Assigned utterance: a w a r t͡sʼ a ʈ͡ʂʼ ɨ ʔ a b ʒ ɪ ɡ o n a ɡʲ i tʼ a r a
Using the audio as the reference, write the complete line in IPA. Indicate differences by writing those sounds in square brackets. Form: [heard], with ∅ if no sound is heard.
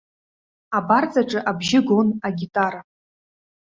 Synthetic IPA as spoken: a [b] a r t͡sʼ a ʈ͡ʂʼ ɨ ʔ a b ʒ ɪ ɡ o n a ɡʲ i tʼ a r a